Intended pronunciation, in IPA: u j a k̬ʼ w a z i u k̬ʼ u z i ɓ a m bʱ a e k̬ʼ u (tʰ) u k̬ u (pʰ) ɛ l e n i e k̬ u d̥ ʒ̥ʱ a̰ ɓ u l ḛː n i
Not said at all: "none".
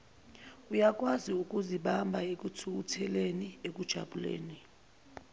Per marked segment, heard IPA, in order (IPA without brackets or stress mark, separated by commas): tʰ, tʰ